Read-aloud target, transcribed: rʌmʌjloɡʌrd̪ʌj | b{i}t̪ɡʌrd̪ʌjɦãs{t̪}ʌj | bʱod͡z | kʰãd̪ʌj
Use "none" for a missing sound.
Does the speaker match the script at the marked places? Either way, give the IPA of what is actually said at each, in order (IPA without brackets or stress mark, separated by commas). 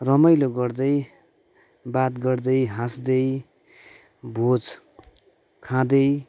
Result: a, d̪